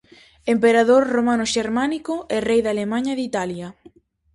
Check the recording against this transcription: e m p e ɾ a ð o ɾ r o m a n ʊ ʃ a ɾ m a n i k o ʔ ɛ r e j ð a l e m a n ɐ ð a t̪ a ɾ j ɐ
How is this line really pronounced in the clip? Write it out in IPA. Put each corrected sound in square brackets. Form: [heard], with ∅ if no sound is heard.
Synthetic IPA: e m p e ɾ a ð o ɾ r o m a n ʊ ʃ [e] ɾ m a n i k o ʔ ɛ r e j ð a l e m a [ɲ] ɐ ð [i] t̪ a [l] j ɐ